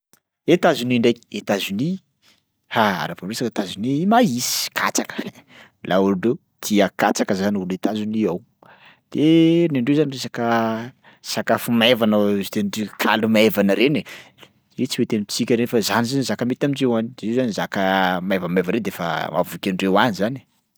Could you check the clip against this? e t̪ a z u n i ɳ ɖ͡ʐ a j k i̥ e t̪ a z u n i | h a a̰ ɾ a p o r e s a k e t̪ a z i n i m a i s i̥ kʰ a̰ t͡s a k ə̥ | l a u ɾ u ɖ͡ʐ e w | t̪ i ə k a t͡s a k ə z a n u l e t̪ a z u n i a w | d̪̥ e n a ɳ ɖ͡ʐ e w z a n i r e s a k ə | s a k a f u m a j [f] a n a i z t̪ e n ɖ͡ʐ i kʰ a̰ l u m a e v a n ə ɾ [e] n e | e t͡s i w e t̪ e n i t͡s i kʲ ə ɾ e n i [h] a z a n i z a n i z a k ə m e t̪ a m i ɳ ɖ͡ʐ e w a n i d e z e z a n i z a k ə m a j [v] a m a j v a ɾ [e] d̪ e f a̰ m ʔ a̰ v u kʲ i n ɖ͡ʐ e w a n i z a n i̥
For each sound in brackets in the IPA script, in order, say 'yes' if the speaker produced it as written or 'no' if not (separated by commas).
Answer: no, yes, no, yes, yes